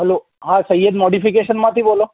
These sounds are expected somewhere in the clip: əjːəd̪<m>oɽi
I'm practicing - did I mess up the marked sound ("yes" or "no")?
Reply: no